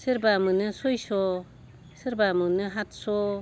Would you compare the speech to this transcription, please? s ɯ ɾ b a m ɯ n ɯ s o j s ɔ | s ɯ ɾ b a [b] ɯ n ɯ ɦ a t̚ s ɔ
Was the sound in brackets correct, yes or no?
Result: no